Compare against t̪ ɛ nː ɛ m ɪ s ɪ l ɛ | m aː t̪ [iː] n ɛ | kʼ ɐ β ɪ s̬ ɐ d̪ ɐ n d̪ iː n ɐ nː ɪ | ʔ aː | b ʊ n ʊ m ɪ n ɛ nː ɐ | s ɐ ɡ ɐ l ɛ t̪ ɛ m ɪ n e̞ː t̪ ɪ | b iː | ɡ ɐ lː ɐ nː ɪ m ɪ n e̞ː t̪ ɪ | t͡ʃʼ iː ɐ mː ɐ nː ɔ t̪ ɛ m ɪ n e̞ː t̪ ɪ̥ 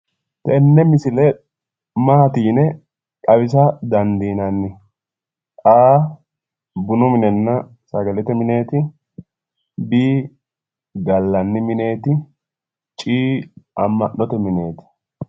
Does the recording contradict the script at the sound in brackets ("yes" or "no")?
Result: no